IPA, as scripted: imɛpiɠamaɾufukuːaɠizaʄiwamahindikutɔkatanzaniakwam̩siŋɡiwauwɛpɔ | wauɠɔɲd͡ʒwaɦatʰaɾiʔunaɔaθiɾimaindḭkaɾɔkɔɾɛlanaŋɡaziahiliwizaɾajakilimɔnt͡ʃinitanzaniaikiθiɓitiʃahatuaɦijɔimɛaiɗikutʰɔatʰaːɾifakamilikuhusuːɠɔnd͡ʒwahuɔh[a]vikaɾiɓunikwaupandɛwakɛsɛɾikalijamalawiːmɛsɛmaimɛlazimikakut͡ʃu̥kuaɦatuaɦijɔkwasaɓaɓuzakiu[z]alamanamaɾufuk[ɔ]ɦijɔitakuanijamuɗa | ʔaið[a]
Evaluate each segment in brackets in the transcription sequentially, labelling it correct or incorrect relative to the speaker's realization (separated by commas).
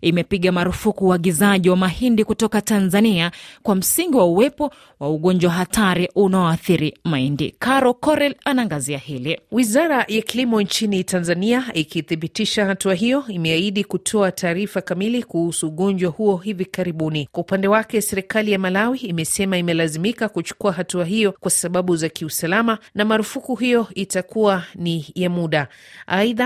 incorrect, incorrect, incorrect, correct